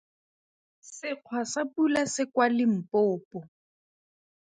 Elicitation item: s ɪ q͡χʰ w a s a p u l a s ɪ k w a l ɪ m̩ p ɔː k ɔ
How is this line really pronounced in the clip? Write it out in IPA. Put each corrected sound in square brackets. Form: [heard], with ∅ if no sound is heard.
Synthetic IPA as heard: s ɪ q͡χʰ w a s a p u l a s ɪ k w a l ɪ m̩ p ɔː [p] ɔ